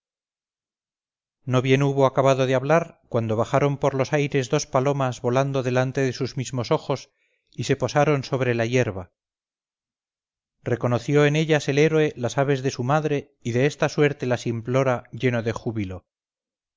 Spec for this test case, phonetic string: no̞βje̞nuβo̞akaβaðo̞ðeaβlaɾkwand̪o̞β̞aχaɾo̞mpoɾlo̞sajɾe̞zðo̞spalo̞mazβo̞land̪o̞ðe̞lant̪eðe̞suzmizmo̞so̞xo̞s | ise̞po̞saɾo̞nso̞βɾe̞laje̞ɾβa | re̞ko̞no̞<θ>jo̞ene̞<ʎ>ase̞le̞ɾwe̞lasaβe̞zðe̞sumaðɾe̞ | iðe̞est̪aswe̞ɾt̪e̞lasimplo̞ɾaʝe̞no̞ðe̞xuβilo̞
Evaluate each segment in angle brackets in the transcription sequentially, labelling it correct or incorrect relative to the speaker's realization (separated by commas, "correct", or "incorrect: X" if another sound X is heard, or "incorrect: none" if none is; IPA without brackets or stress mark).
correct, correct